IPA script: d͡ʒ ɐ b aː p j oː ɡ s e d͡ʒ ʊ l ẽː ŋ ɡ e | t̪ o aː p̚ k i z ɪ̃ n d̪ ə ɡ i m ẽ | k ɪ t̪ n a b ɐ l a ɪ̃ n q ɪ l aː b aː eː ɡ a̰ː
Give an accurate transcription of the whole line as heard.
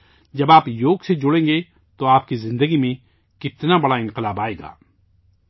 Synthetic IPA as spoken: d͡ʒ ɐ b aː p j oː ɡ s e d͡ʒ ʊ ɽ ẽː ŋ ɡ e | t̪ o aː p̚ k i z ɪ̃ n d̪ ə ɡ i m ẽ | k ɪ t̪ n a b ɐ ɽ a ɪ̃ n q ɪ l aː b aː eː ɡ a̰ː